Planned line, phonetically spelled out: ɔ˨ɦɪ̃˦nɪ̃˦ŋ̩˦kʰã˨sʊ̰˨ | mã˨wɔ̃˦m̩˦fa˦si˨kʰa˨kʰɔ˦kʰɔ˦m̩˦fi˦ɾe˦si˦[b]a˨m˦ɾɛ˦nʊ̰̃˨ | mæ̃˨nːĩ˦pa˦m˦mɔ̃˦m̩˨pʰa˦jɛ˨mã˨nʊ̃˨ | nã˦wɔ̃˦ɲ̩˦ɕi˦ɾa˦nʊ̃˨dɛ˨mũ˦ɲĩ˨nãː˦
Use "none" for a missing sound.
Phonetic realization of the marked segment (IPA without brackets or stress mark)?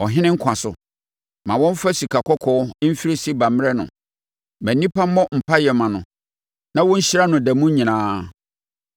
b